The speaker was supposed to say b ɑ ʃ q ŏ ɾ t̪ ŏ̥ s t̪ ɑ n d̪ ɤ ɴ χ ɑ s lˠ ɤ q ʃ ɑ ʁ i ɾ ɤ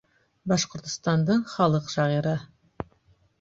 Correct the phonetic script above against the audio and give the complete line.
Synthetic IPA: b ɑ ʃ q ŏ ɾ t̪ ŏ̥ s t̪ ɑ n d̪ ɤ ɴ χ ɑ lˠ ɤ q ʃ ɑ ʁ i ɾ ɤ